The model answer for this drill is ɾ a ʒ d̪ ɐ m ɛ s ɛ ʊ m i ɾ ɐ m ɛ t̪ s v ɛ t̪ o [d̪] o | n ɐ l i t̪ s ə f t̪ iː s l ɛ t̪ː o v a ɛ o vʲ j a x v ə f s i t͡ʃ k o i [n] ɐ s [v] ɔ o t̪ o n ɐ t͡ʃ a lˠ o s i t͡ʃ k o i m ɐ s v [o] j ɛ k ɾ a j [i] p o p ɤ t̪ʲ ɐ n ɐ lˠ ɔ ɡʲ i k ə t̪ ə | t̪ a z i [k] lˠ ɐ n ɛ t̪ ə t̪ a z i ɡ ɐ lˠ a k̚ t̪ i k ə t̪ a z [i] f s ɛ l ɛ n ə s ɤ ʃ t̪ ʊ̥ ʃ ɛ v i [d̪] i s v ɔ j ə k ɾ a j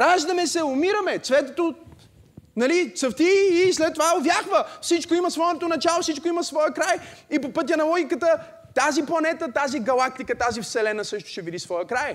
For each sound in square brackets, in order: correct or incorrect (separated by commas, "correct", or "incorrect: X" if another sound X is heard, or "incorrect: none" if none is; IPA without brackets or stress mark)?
incorrect: t̪, incorrect: m, correct, incorrect: ɔ, correct, incorrect: p, correct, correct